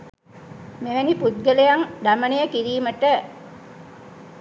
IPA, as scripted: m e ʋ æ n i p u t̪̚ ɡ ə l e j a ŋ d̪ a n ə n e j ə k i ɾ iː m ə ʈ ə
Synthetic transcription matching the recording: m e ʋ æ n i p u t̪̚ ɡ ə l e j a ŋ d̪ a m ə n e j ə k i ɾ iː m ə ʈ ə